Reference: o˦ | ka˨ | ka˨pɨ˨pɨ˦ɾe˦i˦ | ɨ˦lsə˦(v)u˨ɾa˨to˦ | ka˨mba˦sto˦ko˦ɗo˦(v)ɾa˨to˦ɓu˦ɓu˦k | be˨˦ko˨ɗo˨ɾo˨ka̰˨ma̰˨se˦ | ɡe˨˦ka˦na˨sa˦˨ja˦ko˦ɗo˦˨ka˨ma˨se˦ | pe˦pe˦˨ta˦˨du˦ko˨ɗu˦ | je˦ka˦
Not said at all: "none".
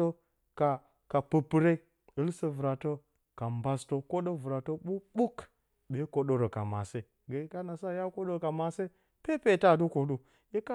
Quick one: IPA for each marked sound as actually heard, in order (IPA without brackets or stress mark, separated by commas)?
v, v